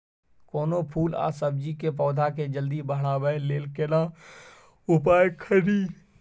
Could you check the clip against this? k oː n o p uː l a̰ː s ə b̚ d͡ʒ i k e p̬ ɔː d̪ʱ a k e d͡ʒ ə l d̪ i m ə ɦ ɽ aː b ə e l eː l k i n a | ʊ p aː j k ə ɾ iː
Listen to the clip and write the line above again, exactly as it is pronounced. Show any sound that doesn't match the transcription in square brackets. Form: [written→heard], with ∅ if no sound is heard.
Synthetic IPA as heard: k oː n o [p→pʰ] uː l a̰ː s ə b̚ d͡ʒ i k e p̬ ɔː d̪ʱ a k e d͡ʒ ə l d̪ i [m→b] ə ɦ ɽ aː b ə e l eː l k [i→e] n a | ʊ p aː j [k→kʰ] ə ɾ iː